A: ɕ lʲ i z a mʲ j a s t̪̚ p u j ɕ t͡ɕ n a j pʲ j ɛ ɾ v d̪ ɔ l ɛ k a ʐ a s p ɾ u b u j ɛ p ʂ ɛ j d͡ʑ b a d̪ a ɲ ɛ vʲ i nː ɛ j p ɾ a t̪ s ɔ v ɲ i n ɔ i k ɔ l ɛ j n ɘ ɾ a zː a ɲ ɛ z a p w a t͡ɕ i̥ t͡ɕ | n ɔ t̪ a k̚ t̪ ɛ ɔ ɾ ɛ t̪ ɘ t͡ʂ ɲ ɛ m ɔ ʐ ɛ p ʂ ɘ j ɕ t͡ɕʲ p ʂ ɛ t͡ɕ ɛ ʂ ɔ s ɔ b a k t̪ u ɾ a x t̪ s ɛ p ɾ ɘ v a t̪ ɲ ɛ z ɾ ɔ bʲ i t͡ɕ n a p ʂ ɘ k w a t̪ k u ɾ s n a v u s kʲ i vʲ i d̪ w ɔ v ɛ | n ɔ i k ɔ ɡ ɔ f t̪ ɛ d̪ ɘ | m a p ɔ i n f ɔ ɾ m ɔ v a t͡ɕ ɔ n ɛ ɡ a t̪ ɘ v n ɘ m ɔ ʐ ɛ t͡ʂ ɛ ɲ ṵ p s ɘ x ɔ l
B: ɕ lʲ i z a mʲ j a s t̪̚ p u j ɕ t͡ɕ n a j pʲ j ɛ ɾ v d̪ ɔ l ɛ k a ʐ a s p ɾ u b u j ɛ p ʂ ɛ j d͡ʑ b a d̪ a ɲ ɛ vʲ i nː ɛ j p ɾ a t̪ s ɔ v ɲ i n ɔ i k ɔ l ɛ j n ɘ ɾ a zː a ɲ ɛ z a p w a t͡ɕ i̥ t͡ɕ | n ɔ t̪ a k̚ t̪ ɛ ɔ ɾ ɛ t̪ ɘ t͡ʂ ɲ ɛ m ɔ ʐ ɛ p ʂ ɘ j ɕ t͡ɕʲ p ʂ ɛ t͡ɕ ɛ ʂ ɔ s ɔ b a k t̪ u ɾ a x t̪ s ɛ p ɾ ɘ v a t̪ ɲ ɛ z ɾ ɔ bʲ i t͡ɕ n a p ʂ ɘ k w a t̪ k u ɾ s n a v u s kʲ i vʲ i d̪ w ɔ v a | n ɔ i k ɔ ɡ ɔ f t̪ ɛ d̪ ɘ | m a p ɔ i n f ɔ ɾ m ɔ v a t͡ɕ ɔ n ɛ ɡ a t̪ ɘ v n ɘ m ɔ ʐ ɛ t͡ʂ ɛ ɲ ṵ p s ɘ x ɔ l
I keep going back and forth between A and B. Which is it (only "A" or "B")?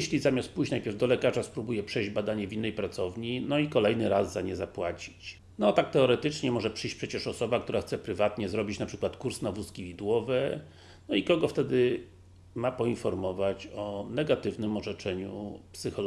A